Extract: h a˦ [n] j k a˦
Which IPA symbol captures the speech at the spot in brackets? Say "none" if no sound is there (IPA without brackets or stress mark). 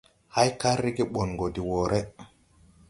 none